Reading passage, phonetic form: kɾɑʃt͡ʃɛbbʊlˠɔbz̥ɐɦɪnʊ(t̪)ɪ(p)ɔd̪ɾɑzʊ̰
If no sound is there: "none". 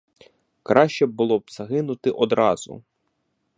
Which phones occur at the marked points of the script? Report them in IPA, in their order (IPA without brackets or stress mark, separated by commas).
t̪, ʔ